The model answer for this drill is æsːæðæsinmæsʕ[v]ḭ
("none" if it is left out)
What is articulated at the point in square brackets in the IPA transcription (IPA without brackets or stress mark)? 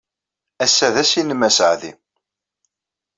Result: ð